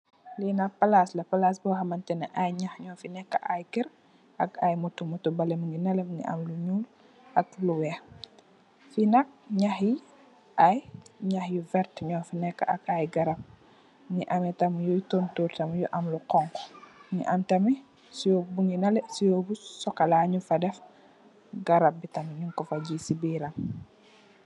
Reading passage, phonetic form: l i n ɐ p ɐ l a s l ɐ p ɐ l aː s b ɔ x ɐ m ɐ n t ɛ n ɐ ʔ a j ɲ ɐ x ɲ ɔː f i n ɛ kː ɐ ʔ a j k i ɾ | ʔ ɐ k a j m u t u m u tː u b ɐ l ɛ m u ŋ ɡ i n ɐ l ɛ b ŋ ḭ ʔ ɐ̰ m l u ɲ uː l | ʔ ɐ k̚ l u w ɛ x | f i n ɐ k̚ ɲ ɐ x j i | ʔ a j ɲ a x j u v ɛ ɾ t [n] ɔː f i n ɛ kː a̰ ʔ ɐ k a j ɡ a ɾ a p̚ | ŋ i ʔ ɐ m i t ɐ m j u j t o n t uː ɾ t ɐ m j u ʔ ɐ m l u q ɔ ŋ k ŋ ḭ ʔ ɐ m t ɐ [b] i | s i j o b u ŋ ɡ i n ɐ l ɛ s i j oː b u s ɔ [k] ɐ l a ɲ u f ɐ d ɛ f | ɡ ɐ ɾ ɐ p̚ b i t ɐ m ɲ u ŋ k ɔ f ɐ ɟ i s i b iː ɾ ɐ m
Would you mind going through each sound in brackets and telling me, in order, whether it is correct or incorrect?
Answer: incorrect: ɲ, incorrect: m, correct

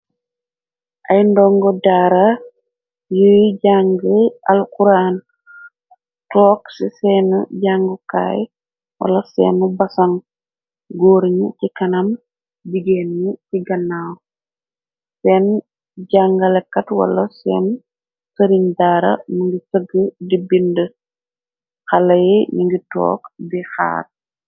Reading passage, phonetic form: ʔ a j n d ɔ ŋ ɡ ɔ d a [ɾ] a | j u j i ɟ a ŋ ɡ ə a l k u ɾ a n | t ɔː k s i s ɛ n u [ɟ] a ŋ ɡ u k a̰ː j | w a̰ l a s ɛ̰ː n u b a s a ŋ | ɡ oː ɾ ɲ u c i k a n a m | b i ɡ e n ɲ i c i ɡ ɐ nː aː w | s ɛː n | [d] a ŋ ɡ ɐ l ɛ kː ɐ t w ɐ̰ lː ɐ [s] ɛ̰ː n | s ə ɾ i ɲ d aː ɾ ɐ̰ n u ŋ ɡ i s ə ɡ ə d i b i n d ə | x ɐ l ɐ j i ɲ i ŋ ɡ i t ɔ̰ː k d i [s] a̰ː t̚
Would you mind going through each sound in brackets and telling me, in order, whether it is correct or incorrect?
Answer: correct, correct, incorrect: ɟ, correct, incorrect: x

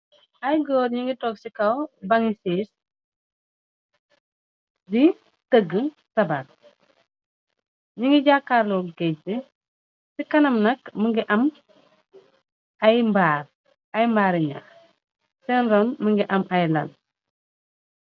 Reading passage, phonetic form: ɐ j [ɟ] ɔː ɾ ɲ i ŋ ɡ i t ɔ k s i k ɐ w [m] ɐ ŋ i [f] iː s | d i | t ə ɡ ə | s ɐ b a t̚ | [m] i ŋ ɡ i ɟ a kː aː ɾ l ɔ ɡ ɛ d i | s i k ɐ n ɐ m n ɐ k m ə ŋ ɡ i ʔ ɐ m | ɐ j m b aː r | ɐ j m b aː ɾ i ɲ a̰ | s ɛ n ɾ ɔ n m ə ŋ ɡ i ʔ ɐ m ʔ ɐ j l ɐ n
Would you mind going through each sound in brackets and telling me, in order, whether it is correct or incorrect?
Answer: incorrect: ɡ, incorrect: b, incorrect: s, incorrect: ɲ

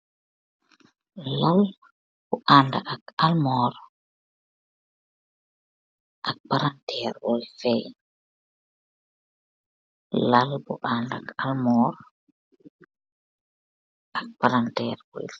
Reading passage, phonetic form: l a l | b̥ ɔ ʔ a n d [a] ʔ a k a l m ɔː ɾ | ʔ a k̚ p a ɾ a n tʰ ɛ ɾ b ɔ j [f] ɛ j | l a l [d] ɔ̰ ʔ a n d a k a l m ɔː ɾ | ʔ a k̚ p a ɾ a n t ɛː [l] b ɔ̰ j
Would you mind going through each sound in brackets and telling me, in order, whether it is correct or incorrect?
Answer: correct, correct, incorrect: b, incorrect: ɾ

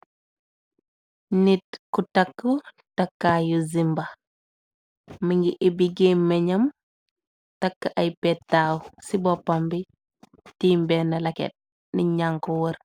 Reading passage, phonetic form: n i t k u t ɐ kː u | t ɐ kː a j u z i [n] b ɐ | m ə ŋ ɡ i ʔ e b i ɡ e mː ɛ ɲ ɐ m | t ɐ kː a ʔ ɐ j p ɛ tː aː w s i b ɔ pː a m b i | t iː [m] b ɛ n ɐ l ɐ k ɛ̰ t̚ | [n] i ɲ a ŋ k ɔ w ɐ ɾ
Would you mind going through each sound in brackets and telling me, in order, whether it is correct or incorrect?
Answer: incorrect: m, correct, correct

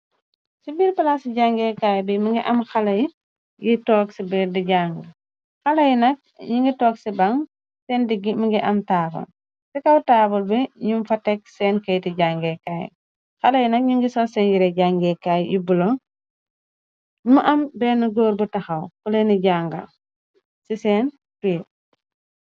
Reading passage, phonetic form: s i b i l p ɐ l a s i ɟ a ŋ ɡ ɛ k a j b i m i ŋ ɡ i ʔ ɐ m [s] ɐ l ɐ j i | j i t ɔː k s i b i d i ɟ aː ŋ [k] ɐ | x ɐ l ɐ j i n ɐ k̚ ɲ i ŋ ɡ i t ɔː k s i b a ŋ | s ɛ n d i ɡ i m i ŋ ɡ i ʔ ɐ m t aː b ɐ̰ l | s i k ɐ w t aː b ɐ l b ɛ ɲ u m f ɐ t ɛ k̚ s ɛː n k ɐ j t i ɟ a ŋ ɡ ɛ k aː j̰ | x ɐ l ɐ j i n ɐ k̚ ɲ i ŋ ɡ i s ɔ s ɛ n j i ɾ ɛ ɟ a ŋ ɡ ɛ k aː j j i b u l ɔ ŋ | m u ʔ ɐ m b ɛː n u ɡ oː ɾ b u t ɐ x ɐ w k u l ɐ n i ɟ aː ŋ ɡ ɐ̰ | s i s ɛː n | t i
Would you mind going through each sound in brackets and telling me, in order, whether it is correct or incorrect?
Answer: incorrect: x, incorrect: ɡ

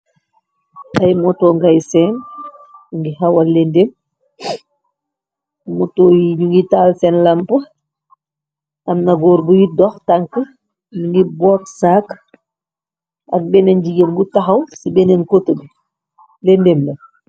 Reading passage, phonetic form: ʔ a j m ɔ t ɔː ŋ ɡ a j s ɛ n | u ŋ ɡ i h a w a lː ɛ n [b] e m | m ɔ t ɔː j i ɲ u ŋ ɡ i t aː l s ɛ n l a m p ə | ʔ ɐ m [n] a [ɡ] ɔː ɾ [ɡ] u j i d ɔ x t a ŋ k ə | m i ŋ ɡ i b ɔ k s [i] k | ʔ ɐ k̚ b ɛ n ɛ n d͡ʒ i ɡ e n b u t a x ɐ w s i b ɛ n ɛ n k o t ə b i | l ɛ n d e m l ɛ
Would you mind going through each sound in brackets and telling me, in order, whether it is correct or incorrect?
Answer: incorrect: d, correct, correct, incorrect: b, incorrect: a

